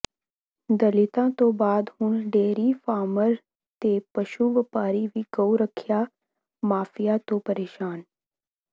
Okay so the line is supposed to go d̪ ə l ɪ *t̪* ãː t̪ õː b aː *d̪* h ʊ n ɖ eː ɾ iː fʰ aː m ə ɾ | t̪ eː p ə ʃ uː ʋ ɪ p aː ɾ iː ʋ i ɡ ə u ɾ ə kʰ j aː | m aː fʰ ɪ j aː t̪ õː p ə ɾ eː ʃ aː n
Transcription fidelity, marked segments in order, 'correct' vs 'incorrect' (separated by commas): correct, correct